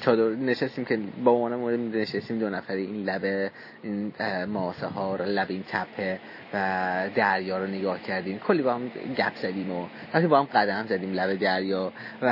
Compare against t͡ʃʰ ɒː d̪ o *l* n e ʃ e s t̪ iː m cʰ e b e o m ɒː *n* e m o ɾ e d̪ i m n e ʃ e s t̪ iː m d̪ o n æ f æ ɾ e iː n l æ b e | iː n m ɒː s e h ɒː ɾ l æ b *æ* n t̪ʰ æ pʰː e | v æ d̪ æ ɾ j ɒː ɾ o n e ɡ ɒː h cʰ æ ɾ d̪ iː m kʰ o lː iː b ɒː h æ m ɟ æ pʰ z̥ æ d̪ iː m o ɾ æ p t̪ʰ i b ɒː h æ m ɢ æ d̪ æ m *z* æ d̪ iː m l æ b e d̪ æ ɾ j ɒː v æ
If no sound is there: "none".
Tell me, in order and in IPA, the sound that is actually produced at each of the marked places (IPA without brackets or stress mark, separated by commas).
ɾ, n, i, z